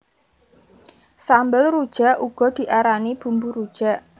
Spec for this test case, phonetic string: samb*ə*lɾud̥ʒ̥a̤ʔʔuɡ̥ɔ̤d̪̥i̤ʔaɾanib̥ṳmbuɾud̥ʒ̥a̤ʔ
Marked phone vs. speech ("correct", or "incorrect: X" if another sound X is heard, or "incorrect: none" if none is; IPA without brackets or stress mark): correct